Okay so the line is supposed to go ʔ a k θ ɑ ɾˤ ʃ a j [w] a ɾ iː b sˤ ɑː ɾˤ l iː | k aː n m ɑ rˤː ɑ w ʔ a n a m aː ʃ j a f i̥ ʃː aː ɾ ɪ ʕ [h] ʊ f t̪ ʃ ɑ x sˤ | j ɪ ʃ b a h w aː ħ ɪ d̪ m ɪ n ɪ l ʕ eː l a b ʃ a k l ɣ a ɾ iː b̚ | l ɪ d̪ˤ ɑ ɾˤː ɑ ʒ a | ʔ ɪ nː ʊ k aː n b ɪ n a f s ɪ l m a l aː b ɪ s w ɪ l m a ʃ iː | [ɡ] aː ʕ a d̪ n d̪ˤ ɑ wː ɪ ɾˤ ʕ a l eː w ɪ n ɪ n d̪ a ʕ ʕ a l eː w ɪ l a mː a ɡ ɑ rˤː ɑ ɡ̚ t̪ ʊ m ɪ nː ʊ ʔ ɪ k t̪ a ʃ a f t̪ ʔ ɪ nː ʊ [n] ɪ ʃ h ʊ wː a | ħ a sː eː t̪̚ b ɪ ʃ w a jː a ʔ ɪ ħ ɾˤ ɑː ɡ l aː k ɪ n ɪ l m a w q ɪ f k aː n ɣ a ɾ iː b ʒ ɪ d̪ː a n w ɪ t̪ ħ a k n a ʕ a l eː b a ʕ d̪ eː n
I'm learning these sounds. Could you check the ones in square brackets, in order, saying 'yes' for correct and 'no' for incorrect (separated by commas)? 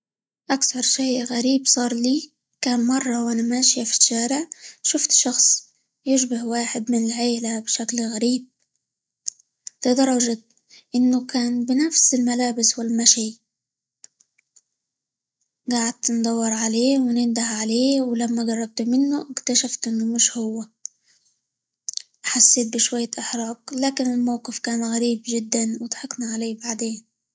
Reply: no, no, yes, no